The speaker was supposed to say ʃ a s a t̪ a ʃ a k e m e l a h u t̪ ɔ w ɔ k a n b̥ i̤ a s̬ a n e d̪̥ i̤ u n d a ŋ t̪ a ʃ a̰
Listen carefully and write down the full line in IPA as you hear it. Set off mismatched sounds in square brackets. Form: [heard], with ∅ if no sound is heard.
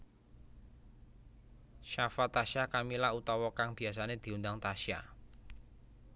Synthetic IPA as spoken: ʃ a [f] a t̪ a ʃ a k [a] m [i] l a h u t̪ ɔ w ɔ k a [ŋ] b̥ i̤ a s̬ a n e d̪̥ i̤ u n d a ŋ t̪ a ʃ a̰